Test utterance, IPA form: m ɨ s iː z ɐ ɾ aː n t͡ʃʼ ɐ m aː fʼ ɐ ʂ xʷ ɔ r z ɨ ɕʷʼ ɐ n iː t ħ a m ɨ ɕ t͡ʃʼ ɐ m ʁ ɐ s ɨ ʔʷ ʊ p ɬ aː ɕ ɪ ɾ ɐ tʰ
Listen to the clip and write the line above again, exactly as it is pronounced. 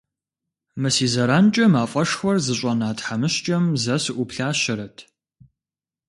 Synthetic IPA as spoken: m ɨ s iː z ɐ ɾ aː n t͡ʃʼ ɐ m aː fʼ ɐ ʂ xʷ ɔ r z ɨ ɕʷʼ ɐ n aː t ħ a m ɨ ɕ t͡ʃʼ ɐ m z ɐ s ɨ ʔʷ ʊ p ɬ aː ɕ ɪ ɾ ɐ tʰ